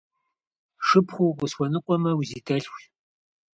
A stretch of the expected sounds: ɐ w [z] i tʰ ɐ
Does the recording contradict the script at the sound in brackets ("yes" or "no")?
no